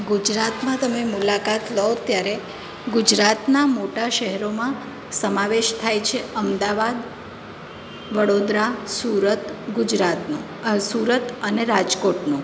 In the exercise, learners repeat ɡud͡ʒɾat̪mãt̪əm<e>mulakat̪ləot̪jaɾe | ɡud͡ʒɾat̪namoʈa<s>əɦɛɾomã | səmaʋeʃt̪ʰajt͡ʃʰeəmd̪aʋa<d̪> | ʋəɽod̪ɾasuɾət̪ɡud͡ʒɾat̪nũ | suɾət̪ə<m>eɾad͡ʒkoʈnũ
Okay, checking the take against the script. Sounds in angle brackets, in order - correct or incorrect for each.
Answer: correct, incorrect: ʃ, correct, incorrect: n

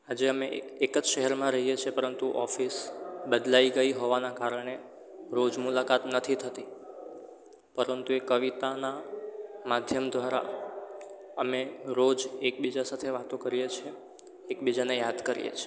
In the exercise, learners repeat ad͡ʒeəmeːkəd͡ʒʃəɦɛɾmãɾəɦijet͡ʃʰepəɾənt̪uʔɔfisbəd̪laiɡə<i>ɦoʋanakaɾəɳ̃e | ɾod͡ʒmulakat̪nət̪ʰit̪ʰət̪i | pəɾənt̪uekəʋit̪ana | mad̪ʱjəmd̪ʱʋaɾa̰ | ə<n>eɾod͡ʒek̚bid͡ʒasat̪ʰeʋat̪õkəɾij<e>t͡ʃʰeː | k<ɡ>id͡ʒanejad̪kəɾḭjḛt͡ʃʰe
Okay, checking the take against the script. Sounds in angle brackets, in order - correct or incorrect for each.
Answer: correct, incorrect: m, correct, incorrect: b

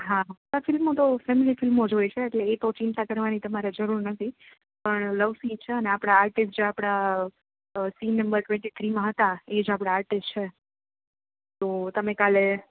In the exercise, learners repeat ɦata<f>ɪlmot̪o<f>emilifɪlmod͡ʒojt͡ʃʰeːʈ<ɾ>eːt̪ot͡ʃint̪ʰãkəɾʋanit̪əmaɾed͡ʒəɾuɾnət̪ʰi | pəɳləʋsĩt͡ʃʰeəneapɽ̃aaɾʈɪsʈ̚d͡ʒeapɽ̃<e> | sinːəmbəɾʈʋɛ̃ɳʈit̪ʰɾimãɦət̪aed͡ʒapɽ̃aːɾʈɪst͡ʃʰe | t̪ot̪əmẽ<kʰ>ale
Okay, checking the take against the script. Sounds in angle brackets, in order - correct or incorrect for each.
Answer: correct, correct, incorrect: l, incorrect: a, incorrect: k

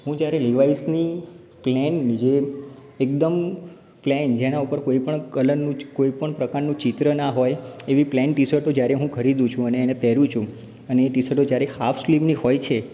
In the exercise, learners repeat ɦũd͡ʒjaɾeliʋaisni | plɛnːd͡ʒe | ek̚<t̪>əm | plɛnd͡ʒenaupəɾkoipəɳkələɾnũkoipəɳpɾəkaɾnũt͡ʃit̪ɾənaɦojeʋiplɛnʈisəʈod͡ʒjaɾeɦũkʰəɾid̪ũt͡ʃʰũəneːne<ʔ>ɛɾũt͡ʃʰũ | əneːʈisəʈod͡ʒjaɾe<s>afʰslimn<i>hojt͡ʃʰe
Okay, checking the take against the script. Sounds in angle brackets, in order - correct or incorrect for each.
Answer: incorrect: d̪, incorrect: p, incorrect: h, correct

